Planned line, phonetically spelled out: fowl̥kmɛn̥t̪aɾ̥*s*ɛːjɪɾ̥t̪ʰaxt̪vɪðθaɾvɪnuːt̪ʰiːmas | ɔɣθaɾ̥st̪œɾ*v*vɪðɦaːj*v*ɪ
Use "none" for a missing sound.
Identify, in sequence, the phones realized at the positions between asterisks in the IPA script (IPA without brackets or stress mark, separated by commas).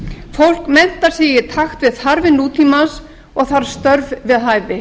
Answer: s, v, v